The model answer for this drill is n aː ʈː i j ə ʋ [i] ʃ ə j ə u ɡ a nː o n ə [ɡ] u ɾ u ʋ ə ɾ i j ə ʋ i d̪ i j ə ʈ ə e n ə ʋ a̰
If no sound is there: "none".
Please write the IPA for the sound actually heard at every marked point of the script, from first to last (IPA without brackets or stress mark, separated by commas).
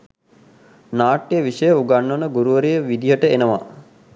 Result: i, ɡ